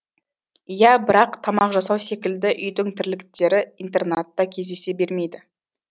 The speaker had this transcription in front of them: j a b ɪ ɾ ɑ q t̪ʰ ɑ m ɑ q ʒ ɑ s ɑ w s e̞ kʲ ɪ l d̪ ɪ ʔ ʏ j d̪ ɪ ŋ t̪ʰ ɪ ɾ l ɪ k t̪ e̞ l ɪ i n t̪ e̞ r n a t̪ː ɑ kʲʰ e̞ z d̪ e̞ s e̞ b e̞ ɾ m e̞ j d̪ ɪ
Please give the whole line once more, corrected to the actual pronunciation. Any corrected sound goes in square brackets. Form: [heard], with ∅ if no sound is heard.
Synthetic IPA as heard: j [æ] b ɪ ɾ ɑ q t̪ʰ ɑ m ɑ q ʒ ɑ s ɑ w s e̞ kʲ ɪ l d̪ ɪ ʔ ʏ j d̪ ɪ ŋ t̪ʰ ɪ ɾ l ɪ k t̪ e̞ [ɾ] ɪ i n t̪ e̞ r n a t̪ː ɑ kʲʰ e̞ z d̪ e̞ s e̞ b e̞ ɾ m e̞ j d̪ ɪ